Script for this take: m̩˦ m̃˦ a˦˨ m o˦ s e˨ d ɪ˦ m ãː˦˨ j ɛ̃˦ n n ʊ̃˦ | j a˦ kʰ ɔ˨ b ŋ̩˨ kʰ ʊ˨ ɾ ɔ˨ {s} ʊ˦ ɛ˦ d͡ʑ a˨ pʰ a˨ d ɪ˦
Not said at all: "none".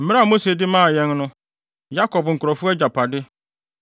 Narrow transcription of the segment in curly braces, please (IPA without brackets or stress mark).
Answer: f